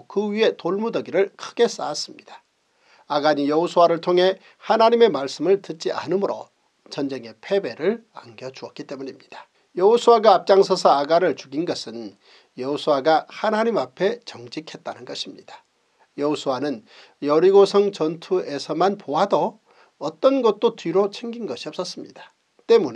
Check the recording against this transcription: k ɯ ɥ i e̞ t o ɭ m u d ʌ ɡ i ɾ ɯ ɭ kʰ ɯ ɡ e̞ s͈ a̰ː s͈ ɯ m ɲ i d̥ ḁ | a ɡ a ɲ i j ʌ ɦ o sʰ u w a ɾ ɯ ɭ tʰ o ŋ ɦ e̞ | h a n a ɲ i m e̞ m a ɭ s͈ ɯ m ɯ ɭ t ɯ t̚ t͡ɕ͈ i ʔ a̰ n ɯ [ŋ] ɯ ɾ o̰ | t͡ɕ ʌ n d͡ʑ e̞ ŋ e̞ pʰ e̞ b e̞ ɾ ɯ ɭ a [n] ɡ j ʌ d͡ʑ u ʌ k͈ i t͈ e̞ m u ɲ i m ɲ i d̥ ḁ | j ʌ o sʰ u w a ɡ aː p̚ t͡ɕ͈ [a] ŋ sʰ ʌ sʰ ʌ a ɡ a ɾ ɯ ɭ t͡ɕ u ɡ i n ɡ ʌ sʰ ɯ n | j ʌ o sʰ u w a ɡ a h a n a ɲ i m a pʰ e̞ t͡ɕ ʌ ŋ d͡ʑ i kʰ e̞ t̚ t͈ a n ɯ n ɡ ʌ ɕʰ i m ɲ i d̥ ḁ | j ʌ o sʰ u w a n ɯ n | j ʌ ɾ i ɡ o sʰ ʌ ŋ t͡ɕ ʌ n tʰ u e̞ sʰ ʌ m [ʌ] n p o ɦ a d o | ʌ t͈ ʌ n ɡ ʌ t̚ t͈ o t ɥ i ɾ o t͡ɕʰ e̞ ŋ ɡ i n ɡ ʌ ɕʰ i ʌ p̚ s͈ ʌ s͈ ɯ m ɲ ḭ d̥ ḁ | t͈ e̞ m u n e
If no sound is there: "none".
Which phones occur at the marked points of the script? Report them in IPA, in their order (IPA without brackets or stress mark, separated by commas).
m, ŋ, a, a